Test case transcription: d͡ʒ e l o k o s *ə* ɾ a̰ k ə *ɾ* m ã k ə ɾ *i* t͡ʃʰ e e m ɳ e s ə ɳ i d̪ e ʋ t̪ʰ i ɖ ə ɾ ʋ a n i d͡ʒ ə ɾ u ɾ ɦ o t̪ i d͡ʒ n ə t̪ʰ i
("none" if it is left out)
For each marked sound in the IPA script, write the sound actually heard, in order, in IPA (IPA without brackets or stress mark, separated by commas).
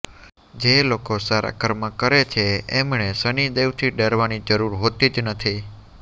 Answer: a, ɾ, e